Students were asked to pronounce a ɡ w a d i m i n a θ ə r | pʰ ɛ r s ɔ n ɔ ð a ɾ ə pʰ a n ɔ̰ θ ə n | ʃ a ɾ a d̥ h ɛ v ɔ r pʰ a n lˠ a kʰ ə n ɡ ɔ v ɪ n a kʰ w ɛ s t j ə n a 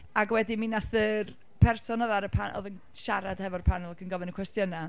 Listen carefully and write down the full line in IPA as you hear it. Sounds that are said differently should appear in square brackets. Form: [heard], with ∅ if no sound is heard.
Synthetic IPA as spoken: a ɡ w [ɛ] d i m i n a θ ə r | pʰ ɛ r s ɔ n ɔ ð a ɾ ə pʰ a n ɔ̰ [ð] ə n | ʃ a ɾ a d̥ h ɛ v ɔ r pʰ a n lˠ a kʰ ə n ɡ ɔ v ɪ n [ə] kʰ w ɛ s t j ə n a